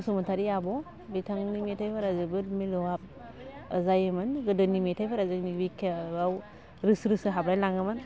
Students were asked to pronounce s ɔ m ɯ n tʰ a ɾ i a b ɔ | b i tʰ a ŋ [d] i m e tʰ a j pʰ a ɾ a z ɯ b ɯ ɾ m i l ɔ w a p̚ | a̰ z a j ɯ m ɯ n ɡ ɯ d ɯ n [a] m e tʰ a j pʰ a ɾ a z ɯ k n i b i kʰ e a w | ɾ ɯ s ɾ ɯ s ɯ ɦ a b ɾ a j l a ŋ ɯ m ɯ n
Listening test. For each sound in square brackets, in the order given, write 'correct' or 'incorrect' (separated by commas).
incorrect, incorrect